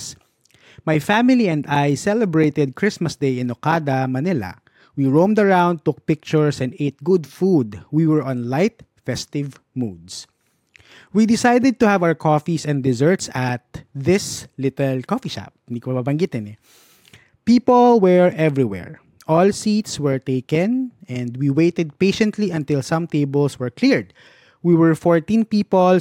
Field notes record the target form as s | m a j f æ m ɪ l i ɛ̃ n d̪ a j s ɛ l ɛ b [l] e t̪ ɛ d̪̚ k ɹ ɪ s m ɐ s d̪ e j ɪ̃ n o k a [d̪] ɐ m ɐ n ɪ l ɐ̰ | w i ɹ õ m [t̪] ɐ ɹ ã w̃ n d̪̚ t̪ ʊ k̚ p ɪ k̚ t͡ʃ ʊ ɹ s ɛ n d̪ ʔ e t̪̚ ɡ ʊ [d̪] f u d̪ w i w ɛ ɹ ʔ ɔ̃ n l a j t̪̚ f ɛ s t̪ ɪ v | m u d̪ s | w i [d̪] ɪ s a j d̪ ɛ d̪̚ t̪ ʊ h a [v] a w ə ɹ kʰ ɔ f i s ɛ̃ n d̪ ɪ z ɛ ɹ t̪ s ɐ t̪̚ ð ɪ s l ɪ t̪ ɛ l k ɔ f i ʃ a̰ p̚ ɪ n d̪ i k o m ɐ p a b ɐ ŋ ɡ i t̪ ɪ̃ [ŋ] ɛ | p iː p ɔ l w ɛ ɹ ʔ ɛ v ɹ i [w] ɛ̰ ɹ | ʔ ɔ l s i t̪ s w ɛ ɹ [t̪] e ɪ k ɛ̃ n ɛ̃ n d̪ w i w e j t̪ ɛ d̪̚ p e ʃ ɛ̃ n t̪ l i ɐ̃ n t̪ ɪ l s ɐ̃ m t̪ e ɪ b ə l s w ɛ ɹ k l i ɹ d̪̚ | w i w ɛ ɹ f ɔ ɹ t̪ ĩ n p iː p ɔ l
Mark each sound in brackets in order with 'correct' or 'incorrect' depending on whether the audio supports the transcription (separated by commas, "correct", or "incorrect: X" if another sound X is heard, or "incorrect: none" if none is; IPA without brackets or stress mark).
incorrect: ɹ, correct, incorrect: d̪, correct, correct, correct, incorrect: n, correct, correct